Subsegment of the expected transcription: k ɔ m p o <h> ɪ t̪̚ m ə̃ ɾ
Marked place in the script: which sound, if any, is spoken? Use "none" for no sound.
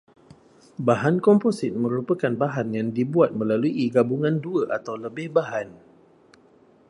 s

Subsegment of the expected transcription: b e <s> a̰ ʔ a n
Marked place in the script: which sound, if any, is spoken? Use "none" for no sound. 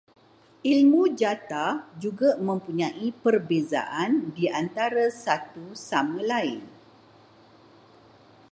z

